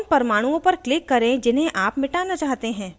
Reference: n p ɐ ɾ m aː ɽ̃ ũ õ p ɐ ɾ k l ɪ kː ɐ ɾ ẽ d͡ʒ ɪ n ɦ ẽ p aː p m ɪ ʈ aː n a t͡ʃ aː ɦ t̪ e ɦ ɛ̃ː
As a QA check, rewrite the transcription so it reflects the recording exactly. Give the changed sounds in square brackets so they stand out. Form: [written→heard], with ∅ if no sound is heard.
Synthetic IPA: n p ɐ ɾ m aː ɽ̃ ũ õ p ɐ ɾ k l ɪ kː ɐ ɾ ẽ d͡ʒ ɪ n ɦ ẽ [p→ʔ] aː p m ɪ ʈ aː n a t͡ʃ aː ɦ t̪ e ɦ ɛ̃ː